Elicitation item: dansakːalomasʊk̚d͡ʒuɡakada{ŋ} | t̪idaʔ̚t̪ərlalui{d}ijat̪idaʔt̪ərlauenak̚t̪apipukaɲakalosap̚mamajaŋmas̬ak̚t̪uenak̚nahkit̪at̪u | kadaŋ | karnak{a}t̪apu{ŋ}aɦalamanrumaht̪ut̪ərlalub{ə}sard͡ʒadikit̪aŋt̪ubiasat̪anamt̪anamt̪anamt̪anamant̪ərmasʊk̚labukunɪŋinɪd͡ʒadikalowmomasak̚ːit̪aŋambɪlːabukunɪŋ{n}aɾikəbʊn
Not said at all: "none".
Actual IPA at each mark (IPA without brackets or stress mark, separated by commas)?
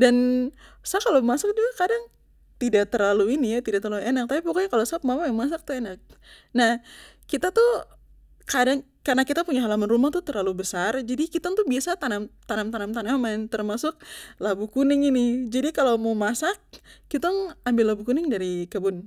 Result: ŋ, n, i, ɲ, ə, d